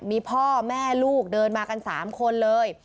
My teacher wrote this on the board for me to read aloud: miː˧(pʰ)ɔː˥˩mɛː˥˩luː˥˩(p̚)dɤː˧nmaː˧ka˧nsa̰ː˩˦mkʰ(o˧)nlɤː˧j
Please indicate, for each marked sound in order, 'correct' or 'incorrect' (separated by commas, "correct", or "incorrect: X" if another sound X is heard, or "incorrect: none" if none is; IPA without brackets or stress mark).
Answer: correct, incorrect: k̚, correct